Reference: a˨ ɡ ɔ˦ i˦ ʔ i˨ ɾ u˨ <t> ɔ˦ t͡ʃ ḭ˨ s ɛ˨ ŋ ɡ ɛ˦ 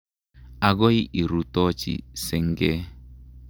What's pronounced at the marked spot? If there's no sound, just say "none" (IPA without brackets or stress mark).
t